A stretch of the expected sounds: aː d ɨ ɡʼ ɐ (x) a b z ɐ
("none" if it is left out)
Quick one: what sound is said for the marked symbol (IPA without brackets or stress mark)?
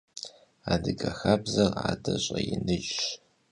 x